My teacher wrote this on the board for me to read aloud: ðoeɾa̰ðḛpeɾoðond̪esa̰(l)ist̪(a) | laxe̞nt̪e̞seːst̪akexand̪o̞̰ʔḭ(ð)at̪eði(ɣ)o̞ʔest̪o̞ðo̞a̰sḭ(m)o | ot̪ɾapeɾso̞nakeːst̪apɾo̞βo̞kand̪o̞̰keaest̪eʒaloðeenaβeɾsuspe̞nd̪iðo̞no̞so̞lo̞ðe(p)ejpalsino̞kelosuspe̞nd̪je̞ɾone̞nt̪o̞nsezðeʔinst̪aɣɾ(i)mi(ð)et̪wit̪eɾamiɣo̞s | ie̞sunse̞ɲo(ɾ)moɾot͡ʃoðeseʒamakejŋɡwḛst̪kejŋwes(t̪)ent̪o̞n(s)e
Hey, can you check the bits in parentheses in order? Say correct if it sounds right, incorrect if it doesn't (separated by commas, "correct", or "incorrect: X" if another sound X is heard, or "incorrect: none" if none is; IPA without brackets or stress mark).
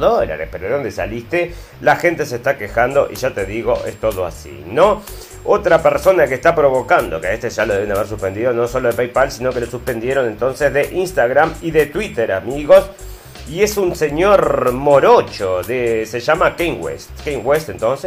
correct, incorrect: e, incorrect: ʒ, correct, incorrect: n, correct, incorrect: a, correct, correct, correct, correct